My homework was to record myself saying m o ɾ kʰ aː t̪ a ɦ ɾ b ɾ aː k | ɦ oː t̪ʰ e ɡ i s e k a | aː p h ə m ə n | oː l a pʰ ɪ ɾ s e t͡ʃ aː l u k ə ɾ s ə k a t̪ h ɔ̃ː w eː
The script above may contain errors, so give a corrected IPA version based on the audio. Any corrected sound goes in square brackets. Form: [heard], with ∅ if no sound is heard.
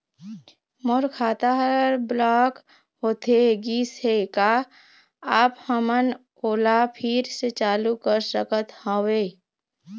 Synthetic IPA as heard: m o ɾ kʰ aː t̪ a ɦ ɾ b [l] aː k | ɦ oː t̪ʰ e ɡ i s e k a | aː p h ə m ə n | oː l a pʰ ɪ ɾ s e t͡ʃ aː l u k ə ɾ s ə k [ə] t̪ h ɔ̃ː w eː